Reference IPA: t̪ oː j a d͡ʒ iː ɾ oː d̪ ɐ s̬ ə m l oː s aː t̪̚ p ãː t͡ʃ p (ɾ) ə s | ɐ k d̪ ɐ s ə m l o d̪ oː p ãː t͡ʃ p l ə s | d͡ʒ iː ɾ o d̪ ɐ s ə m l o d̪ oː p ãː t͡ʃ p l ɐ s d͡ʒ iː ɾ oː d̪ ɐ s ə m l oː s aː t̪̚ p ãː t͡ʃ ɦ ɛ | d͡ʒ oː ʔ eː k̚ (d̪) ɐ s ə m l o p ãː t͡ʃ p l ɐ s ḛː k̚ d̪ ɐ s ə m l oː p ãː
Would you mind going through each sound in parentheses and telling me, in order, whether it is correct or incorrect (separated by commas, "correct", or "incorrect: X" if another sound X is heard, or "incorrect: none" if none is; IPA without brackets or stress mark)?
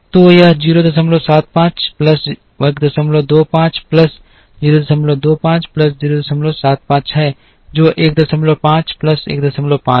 incorrect: l, correct